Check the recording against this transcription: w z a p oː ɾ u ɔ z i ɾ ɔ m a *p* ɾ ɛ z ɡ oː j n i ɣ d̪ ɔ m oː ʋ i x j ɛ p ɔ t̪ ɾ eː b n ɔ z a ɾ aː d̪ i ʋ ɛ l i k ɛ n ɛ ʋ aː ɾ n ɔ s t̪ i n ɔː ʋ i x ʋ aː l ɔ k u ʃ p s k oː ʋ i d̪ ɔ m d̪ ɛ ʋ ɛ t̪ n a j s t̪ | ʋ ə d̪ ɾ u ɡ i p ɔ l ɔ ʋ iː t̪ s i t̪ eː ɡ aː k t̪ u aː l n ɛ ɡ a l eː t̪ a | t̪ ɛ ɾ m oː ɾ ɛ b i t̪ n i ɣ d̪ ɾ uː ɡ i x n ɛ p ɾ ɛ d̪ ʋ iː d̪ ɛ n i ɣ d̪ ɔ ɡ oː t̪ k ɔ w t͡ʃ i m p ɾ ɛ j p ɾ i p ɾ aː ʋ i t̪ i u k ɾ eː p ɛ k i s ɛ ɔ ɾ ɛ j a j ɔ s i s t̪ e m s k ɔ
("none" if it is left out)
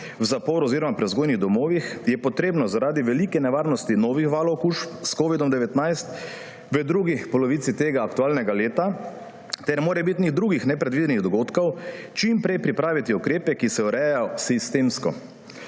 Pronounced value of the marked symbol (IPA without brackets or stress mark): p